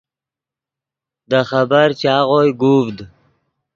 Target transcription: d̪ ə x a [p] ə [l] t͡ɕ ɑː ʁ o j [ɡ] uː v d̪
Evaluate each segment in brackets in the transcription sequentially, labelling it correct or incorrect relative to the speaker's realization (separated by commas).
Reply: incorrect, incorrect, correct